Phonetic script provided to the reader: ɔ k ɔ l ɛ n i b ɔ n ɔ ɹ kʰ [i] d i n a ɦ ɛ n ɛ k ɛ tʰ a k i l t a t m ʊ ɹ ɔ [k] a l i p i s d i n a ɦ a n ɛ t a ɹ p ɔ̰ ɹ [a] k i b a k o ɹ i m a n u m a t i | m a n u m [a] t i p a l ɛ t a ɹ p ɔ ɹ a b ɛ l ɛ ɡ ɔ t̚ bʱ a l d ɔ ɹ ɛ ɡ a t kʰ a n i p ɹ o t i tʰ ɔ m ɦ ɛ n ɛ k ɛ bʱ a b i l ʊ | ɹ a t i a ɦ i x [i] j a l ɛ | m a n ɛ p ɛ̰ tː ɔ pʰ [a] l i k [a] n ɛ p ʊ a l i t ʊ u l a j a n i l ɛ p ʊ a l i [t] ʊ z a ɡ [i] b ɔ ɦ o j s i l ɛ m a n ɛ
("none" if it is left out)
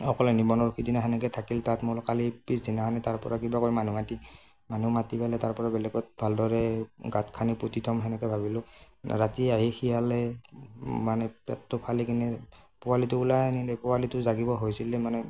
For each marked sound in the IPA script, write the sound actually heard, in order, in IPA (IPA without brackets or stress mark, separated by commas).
i, k, a, a, i, a, i, t, i